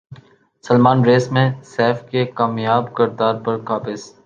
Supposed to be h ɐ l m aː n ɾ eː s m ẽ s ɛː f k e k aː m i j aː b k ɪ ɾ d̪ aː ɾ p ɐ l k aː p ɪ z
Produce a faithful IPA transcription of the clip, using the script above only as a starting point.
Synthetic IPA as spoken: s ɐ l m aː n ɾ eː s m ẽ s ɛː f k e k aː m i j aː b k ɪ ɾ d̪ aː ɾ p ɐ ɾ k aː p ɪ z